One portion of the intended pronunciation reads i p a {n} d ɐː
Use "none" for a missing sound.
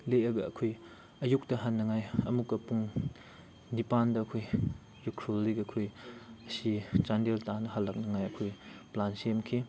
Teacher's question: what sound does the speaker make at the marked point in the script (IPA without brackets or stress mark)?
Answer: n